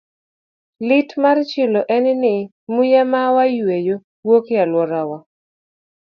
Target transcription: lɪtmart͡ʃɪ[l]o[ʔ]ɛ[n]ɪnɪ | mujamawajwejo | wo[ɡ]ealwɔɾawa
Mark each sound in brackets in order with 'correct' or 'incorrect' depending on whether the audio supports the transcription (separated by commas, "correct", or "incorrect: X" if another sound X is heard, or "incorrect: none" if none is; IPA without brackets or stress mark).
correct, correct, correct, incorrect: k